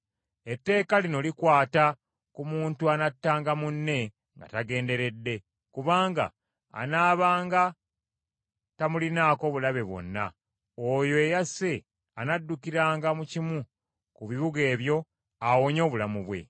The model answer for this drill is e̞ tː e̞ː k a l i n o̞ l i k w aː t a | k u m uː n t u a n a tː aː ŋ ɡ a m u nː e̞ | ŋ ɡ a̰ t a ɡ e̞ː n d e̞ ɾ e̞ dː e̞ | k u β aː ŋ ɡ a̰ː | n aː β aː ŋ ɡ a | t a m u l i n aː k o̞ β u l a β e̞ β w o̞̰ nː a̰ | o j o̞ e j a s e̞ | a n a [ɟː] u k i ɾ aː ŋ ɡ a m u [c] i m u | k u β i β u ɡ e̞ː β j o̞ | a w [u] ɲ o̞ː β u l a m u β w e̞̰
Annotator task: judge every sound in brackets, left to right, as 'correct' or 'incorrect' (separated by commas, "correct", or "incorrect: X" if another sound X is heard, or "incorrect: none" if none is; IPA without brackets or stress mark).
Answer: incorrect: dː, correct, incorrect: o